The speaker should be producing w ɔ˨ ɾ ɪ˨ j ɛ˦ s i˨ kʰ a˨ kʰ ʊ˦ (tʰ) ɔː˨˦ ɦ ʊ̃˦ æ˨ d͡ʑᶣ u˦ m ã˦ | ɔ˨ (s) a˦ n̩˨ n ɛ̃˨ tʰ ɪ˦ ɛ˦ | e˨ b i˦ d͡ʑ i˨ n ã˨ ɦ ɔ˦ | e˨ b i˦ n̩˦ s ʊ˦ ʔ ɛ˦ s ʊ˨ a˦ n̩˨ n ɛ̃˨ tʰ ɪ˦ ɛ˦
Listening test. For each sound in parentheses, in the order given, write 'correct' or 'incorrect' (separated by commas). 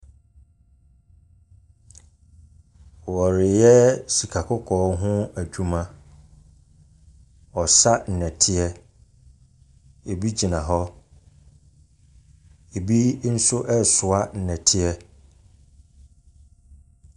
incorrect, correct